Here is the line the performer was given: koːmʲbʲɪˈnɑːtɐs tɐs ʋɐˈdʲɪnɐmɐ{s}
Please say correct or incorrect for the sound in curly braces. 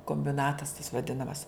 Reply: correct